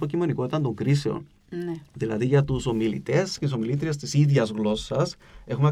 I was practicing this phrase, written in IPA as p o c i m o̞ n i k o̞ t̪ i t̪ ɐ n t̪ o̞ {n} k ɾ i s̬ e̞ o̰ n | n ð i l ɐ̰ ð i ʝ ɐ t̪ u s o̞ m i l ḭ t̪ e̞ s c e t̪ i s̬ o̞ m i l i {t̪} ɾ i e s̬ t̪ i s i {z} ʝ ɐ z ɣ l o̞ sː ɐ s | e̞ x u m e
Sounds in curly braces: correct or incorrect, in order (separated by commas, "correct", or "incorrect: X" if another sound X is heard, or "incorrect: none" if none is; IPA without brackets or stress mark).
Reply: incorrect: ŋ, correct, incorrect: ð